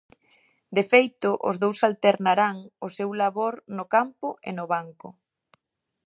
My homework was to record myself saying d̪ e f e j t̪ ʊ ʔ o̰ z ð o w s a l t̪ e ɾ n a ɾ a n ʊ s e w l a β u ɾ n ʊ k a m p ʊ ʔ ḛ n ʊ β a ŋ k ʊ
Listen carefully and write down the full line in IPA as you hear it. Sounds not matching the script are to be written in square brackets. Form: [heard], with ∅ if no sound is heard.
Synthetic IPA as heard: d̪ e f e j t̪ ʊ ʔ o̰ z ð o w s a l t̪ e ɾ n a ɾ a [ŋ] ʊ s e w l a β [o] ɾ n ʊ k a m p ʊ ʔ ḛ n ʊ β a ŋ k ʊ